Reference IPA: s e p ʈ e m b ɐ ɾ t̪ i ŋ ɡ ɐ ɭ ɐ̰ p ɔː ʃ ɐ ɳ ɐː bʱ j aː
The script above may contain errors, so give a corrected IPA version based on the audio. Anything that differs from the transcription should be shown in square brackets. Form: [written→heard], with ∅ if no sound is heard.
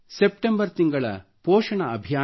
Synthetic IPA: s e p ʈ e m b ɐ ɾ t̪ i ŋ ɡ ɐ ɭ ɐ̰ p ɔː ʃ ɐ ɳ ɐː bʱ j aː